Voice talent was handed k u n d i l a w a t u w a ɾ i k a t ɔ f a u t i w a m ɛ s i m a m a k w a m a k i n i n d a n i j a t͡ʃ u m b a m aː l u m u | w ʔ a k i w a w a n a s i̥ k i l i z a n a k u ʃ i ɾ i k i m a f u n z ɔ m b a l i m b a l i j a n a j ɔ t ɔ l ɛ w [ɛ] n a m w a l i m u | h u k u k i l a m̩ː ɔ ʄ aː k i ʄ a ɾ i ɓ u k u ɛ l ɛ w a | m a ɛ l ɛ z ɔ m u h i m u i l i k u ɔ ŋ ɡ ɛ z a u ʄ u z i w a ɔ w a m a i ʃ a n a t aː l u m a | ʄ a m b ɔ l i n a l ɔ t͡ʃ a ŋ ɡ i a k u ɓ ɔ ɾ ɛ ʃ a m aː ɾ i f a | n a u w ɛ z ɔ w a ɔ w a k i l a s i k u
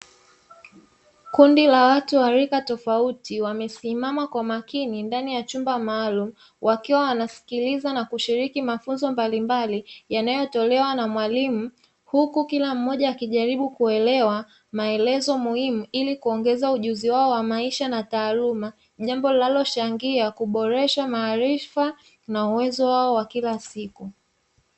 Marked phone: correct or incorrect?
incorrect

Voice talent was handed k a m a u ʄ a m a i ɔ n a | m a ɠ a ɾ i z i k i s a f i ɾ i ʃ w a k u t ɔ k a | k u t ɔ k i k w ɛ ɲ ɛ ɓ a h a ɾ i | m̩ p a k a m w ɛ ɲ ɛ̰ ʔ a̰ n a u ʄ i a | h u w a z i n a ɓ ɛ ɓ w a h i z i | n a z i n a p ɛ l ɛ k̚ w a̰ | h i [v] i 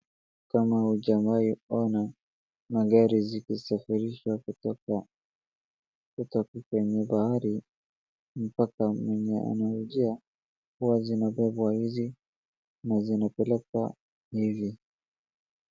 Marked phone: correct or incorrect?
correct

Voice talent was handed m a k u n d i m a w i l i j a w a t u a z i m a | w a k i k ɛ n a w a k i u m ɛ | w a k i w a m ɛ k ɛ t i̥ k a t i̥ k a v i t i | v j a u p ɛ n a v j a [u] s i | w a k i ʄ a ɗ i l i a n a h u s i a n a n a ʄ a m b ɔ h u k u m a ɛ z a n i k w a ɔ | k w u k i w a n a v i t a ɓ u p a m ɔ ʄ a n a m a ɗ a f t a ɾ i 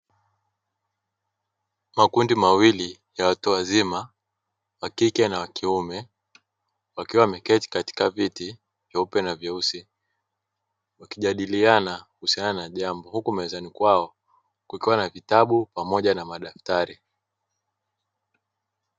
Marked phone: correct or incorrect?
correct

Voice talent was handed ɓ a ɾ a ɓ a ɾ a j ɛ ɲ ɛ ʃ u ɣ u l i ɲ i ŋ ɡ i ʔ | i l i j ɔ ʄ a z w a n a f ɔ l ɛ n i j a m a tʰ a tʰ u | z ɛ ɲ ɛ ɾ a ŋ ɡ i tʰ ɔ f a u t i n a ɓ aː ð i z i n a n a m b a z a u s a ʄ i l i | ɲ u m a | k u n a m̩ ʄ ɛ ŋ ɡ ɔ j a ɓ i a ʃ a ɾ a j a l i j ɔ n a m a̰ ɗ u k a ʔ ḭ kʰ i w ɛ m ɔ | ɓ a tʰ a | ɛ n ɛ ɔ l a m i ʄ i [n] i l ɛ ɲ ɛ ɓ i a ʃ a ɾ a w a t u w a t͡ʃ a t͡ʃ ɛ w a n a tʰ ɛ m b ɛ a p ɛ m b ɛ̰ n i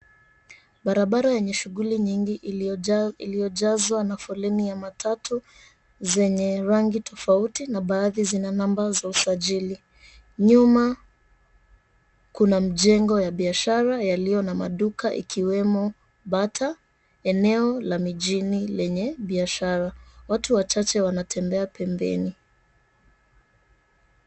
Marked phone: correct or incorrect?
correct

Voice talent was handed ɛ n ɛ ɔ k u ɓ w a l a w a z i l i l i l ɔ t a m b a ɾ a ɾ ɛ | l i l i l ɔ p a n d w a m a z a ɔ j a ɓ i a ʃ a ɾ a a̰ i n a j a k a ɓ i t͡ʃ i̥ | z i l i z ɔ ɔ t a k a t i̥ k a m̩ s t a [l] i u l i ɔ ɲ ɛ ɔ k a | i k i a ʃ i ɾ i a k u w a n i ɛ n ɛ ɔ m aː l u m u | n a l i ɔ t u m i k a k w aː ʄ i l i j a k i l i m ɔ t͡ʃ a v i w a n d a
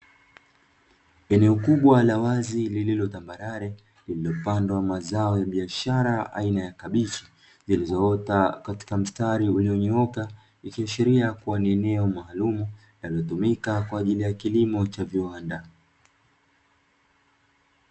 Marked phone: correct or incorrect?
incorrect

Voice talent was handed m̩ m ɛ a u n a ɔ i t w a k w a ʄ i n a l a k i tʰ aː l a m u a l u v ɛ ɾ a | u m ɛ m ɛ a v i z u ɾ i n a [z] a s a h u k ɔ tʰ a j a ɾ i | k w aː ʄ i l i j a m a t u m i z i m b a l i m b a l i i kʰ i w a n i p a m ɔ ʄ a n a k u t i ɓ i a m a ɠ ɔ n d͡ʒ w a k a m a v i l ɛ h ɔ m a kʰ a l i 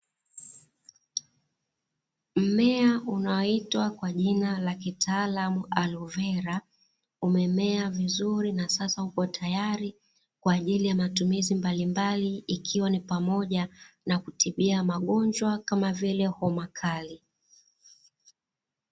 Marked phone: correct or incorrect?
incorrect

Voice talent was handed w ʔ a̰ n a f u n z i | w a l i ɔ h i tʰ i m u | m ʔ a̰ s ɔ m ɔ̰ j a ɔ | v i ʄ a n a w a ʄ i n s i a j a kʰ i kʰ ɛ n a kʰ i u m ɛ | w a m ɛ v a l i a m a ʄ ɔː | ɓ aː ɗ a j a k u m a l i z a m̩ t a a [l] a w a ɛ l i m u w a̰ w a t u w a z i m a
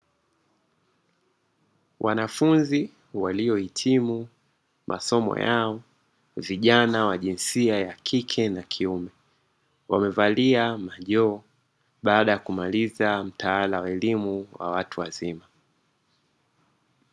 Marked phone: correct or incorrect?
correct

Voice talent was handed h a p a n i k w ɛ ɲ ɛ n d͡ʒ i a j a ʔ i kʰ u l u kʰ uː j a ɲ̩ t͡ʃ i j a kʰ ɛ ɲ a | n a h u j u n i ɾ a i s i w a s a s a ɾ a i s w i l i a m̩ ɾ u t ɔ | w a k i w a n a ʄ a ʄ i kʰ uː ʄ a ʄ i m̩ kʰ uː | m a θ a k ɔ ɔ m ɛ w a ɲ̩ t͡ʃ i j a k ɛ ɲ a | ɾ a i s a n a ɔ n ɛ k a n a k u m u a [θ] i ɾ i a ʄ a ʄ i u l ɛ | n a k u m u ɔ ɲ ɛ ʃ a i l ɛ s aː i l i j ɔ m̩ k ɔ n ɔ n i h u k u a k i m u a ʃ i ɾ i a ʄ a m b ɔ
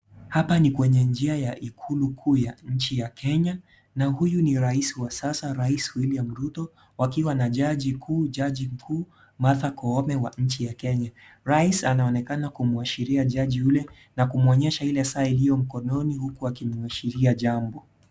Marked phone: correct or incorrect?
incorrect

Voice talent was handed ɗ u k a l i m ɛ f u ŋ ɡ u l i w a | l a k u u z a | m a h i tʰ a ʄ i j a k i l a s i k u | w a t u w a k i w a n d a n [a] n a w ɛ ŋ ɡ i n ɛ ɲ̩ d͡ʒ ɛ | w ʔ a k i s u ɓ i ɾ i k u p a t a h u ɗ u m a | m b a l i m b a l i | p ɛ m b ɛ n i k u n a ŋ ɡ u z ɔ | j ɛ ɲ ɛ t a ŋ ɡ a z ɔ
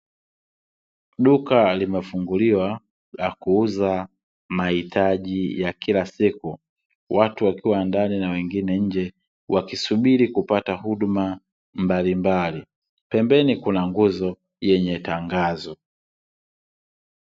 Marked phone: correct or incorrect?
incorrect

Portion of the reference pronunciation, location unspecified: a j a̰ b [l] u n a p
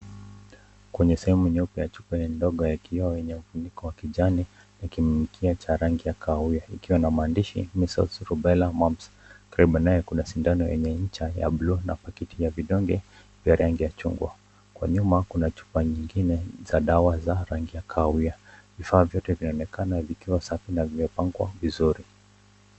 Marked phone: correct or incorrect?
correct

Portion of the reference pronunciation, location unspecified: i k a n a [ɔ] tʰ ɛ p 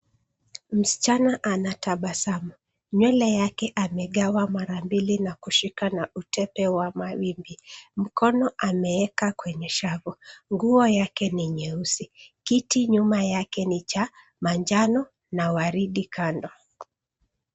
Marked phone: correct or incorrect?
incorrect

